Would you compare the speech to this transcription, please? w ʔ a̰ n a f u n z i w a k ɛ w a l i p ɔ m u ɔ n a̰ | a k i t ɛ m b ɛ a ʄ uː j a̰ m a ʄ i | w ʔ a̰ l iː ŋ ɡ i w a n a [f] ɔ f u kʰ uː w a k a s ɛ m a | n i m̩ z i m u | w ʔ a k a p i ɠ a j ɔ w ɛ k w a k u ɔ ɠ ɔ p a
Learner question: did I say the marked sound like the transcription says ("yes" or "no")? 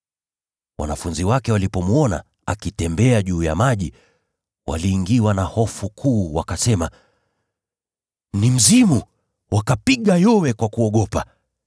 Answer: no